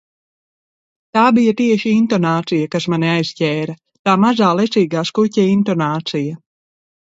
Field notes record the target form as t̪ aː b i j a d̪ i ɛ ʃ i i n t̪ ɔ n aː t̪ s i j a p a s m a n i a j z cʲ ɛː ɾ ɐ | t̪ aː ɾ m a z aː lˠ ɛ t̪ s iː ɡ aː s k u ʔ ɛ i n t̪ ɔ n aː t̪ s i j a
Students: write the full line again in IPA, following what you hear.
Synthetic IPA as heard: t̪ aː b i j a t̪ i ɛ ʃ i i n t̪ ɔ n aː t̪ s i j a k a s m a n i a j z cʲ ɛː ɾ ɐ | t̪ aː m a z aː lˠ ɛ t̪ s iː ɡ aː s k u c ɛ i n t̪ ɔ n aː t̪ s i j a